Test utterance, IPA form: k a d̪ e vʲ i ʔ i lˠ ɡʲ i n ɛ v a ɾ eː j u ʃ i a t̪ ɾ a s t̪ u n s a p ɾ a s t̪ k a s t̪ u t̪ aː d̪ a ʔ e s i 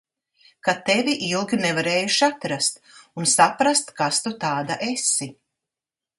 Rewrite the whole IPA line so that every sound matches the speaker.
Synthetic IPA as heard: k a t̪ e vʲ i ʔ i lˠ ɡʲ i n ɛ v a ɾ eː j u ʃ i a t̪ ɾ a s t̪ u n s a p ɾ a s t̪ k a s t̪ u t̪ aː d̪ a ʔ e s i